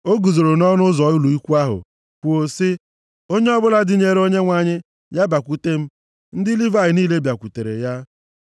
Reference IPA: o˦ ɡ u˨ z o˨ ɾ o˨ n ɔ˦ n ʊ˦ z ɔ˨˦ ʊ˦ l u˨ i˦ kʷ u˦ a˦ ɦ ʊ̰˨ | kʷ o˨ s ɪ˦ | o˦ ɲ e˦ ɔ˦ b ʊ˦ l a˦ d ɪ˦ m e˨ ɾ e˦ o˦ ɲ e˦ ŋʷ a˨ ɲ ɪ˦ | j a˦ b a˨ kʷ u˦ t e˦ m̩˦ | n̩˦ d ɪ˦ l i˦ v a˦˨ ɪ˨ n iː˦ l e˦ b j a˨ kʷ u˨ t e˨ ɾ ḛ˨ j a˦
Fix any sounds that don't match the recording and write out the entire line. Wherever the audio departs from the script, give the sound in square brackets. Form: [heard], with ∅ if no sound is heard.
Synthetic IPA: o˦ ɡ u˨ z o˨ ɾ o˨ n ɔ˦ n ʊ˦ z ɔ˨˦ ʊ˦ l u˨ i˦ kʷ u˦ a˦ ɦ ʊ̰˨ | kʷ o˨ s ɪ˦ | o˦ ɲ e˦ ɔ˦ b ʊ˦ l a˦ d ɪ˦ [ɲ] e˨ ɾ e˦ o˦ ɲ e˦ ŋʷ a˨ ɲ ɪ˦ | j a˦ b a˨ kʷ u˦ t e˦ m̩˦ | n̩˦ d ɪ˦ l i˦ v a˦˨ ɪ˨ n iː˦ l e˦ b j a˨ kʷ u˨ t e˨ ɾ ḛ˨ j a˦